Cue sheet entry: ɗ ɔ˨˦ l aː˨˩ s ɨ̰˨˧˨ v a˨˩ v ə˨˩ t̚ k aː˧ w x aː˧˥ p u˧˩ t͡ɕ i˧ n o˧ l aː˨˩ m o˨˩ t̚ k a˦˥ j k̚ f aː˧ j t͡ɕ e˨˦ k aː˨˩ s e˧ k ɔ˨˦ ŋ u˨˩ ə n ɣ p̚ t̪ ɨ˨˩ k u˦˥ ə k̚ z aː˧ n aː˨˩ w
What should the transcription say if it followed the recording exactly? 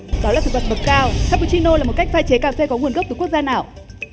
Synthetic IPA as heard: ɗ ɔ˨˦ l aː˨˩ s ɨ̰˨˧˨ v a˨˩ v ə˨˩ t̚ k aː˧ w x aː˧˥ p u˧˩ t͡ɕ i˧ n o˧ l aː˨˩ m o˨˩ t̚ k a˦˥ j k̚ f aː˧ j t͡ɕ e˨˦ k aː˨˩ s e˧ k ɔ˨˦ ŋ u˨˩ ə n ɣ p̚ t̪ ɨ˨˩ k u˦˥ ə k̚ z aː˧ n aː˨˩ w